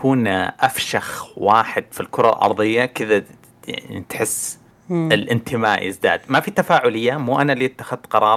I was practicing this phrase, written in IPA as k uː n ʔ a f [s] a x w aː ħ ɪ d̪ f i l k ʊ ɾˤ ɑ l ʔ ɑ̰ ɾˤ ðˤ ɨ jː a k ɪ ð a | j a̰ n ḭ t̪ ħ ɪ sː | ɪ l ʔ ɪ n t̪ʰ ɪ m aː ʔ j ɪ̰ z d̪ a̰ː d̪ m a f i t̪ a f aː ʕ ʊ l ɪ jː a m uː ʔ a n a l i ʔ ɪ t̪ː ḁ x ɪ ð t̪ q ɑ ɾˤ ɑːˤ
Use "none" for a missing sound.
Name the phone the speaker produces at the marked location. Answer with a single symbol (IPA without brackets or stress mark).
ʃ